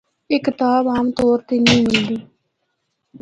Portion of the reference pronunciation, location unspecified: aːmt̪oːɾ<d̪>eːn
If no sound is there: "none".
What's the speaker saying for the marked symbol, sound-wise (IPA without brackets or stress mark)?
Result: t̪